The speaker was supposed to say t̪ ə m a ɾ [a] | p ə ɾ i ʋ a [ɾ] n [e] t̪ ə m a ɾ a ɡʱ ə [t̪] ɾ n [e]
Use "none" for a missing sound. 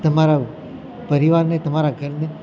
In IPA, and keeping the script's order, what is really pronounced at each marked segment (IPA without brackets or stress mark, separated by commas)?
a, ɾ, e, none, e